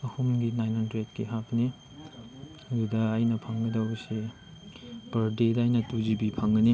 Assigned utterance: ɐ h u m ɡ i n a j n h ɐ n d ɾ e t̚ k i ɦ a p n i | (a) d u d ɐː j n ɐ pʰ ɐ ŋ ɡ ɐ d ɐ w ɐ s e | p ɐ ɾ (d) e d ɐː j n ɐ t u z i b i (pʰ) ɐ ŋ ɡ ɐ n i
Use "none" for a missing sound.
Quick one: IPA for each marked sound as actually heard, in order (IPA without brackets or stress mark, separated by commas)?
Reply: ɐ, d, pʰ